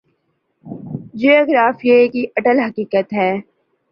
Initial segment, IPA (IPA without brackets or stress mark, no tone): d͡ʒ